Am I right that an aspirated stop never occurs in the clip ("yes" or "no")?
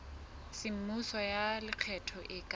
no